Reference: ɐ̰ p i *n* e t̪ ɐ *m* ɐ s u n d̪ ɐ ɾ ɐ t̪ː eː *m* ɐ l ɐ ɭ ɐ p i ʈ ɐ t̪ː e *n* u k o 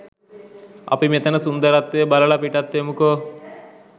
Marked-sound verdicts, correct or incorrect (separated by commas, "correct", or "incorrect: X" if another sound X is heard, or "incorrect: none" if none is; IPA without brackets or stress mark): incorrect: m, incorrect: n, incorrect: b, incorrect: m